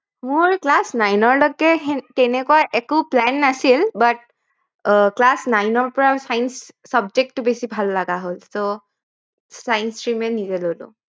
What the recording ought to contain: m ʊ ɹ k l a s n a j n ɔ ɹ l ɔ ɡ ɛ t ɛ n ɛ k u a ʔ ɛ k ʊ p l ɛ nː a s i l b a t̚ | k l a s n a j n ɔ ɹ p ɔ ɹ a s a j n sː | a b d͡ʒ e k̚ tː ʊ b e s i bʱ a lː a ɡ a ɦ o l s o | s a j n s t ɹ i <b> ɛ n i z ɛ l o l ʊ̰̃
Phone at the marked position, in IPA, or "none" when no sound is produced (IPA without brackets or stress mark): m